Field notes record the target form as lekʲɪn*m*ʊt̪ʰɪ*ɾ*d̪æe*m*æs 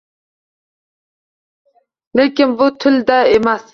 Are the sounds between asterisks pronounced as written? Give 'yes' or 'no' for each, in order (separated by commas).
no, no, yes